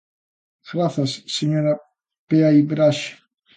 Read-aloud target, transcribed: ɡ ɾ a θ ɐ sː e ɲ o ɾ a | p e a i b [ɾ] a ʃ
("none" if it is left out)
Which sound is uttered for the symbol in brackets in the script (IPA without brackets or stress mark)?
ɾ